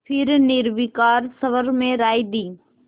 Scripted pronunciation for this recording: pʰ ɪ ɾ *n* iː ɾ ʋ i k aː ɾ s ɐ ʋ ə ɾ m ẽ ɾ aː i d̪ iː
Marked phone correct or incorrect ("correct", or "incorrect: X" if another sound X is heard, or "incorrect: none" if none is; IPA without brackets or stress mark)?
correct